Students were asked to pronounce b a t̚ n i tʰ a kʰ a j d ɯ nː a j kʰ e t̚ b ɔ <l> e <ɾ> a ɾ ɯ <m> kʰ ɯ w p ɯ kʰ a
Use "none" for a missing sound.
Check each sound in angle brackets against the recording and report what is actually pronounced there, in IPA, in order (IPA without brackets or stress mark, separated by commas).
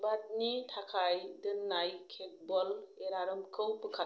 l, ɾ, m